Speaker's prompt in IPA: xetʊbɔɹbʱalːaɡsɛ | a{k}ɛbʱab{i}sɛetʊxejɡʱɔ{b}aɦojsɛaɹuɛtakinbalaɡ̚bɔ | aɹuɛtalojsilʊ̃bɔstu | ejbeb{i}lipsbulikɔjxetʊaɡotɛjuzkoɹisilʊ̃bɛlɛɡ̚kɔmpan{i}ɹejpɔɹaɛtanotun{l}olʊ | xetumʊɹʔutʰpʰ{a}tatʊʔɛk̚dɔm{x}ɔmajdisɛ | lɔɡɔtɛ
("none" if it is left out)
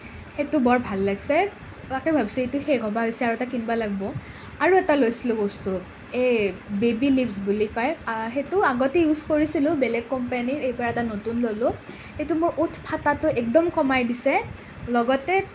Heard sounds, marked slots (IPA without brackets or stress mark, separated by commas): k, i, b, i, i, l, a, k